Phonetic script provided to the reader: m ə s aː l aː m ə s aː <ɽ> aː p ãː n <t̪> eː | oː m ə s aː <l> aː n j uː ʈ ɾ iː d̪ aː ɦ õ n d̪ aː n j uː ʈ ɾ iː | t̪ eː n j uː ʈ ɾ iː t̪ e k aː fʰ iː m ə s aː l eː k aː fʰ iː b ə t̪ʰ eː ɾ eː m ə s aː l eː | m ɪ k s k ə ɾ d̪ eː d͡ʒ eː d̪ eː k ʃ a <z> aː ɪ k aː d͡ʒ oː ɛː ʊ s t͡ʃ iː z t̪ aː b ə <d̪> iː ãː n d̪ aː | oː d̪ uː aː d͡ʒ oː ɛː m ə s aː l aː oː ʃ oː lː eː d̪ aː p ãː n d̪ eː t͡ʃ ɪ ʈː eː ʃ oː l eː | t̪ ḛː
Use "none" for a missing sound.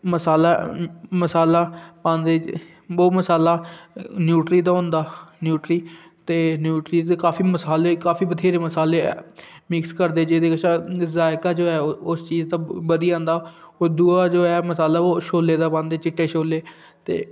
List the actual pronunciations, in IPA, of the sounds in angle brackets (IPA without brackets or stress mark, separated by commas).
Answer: l, d̪, l, z, d̪